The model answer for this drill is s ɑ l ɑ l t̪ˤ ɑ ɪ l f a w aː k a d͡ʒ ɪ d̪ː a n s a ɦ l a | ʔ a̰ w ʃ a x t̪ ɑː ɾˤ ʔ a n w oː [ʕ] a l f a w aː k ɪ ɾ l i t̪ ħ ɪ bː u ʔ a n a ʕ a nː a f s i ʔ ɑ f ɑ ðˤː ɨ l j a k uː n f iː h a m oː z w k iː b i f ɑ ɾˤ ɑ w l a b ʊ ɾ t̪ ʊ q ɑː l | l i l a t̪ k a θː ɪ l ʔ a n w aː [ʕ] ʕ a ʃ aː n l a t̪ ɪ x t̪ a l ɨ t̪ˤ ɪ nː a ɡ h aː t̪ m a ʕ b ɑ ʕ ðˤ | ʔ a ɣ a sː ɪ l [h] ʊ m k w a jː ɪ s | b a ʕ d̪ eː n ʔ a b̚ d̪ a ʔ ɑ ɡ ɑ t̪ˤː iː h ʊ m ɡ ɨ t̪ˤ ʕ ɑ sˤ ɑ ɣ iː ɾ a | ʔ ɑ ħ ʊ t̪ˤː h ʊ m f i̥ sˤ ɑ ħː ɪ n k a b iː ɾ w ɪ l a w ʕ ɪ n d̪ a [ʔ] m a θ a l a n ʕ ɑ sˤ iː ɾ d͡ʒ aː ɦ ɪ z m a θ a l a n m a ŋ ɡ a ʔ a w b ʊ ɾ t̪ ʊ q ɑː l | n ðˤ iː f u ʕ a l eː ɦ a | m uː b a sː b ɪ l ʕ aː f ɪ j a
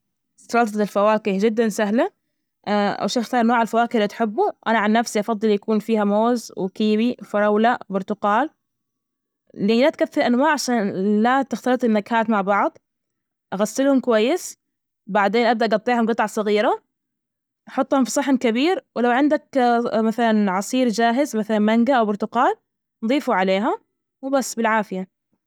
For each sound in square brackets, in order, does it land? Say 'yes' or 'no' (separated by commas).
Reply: yes, yes, yes, no